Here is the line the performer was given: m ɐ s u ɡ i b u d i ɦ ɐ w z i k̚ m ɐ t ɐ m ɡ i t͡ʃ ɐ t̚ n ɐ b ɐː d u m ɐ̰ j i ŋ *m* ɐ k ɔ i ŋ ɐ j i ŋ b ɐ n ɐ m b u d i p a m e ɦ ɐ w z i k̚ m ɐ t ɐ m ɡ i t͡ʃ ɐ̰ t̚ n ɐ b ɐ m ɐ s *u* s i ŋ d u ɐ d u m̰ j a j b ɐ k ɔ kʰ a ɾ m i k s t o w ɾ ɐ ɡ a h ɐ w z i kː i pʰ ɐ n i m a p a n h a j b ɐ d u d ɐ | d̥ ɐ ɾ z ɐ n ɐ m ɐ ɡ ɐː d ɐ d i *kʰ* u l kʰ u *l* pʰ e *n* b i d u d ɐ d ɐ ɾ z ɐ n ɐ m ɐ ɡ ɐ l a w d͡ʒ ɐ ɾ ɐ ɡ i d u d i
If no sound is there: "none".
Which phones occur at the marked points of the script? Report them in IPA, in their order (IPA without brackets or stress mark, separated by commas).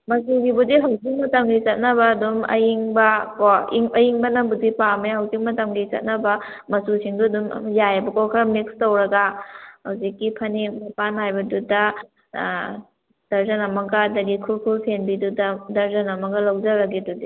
b, u, kʰ, l, n